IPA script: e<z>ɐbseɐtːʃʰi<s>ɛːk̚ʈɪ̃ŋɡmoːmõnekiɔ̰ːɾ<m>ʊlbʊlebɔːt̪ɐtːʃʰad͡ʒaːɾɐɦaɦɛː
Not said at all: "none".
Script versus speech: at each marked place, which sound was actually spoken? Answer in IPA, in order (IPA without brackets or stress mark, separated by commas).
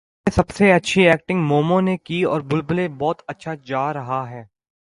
s, none, b